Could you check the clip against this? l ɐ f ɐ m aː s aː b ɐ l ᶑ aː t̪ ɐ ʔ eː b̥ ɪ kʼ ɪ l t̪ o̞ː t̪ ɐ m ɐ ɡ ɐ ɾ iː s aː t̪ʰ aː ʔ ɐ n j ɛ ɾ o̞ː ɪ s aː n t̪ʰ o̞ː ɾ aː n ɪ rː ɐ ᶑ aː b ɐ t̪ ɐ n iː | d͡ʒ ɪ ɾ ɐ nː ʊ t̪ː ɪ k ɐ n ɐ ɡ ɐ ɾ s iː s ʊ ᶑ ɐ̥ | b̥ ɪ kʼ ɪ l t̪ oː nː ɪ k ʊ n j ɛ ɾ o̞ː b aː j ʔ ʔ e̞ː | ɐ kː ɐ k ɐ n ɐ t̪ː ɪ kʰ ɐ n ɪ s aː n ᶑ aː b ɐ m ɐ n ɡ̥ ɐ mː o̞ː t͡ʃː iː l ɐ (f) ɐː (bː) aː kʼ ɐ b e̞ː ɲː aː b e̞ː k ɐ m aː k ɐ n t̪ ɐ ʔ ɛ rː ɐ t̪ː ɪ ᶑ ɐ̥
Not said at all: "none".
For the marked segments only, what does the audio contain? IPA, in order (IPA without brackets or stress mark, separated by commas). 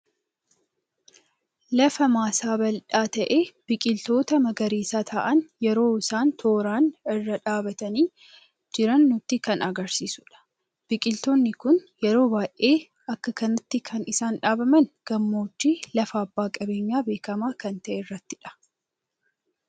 f, bː